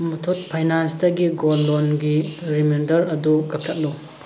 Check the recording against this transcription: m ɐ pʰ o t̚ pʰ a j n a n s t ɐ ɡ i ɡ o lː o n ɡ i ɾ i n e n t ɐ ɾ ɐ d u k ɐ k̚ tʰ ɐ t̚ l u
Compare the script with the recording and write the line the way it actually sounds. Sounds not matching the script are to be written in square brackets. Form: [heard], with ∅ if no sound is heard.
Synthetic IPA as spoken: m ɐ [tʰ] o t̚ pʰ a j n a n s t ɐ ɡ i ɡ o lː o n ɡ i ɾ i [m] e n [d] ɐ ɾ ɐ d u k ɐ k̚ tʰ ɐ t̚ l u